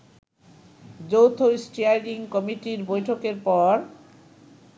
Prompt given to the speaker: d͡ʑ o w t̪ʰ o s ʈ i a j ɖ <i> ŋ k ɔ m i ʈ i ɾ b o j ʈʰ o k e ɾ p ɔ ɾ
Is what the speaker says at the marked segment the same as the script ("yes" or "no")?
yes